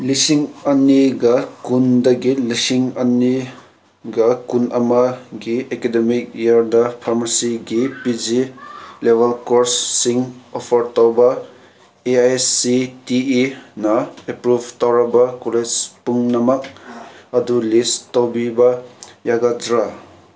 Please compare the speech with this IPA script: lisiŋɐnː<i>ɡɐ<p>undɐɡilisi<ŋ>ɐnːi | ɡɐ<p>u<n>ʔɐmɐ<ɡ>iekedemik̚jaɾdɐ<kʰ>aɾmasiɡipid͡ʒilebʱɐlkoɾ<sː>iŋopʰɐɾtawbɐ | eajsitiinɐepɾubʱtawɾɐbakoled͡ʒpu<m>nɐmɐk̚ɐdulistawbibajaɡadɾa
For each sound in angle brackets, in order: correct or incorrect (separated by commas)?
correct, incorrect, correct, incorrect, correct, correct, incorrect, correct, incorrect